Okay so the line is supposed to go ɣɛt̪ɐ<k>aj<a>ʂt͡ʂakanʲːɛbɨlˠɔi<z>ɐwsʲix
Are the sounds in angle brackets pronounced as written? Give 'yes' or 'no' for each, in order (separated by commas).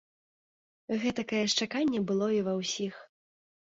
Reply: yes, no, no